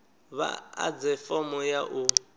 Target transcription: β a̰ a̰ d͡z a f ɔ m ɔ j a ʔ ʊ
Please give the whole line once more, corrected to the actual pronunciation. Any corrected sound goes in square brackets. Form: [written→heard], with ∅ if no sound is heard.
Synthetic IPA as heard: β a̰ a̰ d͡z [a→ɛ] f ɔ m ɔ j a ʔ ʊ